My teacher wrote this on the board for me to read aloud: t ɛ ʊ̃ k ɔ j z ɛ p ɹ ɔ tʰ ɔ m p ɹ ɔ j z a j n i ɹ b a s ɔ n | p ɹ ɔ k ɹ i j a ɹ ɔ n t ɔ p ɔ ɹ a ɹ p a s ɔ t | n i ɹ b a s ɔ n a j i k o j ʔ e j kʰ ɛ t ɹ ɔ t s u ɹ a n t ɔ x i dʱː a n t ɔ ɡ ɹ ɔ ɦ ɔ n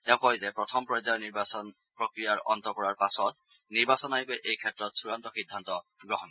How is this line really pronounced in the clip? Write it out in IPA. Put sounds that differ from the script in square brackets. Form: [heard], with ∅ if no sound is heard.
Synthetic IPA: t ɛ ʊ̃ k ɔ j z ɛ p ɹ ɔ tʰ ɔ m p ɹ ɔ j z a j n i ɹ b a s ɔ n | p ɹ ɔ k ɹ i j a ɹ ɔ n t ɔ [k] ɔ ɹ a ɹ p a s ɔ t | n i ɹ b a s ɔ n a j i k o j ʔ e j kʰ ɛ t ɹ ɔ t s u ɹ a n t ɔ x i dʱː a n t ɔ ɡ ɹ ɔ ɦ ɔ n